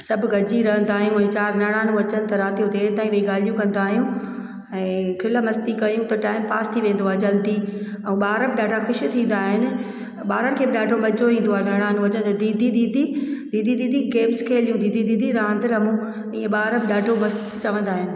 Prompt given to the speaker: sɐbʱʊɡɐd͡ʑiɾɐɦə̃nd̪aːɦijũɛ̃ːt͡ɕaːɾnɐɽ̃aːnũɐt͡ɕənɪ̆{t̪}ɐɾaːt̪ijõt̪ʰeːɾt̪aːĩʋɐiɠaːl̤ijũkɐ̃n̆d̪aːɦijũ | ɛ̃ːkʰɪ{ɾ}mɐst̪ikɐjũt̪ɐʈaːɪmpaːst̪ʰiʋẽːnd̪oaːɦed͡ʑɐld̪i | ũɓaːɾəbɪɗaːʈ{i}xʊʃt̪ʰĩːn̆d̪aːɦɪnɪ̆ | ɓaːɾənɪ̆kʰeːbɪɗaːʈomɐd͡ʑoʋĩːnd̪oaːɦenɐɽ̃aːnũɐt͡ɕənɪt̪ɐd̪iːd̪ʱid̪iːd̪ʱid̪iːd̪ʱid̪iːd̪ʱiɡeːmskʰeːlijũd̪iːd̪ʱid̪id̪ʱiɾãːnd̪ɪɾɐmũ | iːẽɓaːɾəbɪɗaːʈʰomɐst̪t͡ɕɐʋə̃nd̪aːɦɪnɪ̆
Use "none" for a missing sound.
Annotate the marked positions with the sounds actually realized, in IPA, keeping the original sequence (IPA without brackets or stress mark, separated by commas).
t̪, l, a